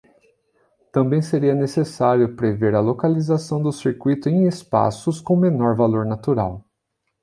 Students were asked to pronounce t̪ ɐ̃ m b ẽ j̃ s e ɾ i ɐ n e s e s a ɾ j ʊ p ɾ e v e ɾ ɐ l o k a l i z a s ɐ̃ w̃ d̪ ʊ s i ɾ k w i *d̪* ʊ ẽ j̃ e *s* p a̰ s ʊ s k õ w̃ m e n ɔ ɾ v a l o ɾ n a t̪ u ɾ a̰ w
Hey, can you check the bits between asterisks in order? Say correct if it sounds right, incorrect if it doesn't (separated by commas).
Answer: incorrect, correct